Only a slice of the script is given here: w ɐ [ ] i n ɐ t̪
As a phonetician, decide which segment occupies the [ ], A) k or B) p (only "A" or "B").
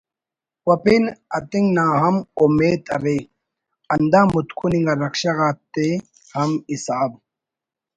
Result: B